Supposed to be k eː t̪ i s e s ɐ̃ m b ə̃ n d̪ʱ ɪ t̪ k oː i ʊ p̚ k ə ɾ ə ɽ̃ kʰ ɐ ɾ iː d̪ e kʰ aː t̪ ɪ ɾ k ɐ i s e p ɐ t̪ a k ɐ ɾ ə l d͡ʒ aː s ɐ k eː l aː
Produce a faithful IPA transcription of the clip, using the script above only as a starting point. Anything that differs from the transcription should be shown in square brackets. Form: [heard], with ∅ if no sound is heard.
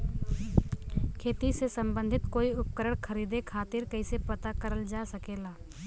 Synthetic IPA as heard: [kʰ] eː t̪ i s e s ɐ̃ m b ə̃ n d̪ʱ ɪ t̪ k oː i ʊ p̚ k ə ɾ ə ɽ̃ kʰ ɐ ɾ iː d̪ e kʰ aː t̪ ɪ ɾ k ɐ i s e p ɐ t̪ a k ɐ ɾ ə l d͡ʒ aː s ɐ k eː l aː